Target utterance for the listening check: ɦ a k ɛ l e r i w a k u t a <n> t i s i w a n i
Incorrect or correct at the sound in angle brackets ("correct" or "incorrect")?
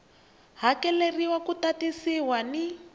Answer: incorrect